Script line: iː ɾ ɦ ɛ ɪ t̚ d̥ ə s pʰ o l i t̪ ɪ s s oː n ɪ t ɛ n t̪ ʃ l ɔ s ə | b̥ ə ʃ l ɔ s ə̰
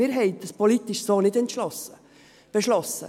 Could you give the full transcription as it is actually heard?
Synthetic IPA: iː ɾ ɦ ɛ ɪ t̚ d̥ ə s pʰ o l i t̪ ɪ ʃ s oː n ɪ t ɛ n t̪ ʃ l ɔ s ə | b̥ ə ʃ l ɔ s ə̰

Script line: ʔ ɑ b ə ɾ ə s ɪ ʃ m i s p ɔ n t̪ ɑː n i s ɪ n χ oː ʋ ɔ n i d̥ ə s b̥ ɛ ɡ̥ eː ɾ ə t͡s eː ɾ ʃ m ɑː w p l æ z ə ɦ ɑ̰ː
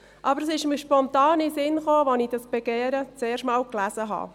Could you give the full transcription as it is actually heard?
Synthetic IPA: ʔ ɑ b ə ɾ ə s ɪ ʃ m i ʃ p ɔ n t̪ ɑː n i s ɪ n χ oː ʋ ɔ n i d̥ ɑ s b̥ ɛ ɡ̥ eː ɾ ə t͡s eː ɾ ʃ m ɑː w k l æ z ə ɦ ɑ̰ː

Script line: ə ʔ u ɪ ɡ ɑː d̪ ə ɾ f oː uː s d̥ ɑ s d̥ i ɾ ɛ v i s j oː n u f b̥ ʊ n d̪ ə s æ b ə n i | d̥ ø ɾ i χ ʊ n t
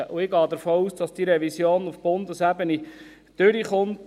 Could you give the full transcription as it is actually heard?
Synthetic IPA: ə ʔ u ɪ ɡ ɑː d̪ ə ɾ f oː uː s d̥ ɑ s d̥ i ɾ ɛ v i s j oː n u f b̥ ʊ n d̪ ə s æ b ə n i | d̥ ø ɾ i χ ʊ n t

